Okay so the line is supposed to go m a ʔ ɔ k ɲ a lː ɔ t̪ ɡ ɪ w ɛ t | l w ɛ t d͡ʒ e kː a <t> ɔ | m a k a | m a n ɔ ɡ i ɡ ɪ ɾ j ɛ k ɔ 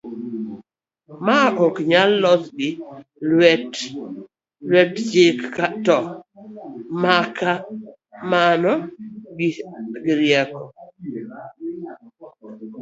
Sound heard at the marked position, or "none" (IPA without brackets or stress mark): t